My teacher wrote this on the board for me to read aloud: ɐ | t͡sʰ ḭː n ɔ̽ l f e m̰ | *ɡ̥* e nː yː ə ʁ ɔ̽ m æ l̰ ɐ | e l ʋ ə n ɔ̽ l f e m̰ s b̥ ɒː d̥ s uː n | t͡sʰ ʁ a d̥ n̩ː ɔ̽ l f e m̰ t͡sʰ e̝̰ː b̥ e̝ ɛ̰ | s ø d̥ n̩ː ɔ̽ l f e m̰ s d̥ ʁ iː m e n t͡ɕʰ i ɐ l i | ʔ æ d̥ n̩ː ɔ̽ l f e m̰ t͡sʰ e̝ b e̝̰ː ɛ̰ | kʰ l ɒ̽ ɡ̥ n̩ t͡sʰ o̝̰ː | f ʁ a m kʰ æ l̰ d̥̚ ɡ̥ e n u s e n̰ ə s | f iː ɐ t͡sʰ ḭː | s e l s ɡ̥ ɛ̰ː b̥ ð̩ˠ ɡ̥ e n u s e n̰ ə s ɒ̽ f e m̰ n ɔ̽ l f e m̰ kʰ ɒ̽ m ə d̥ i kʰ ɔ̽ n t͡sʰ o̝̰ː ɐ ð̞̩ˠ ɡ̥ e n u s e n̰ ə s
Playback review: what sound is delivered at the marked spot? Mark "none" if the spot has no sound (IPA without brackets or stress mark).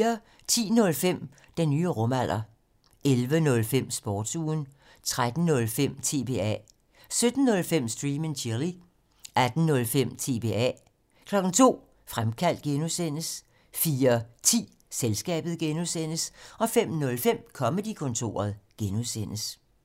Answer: d̥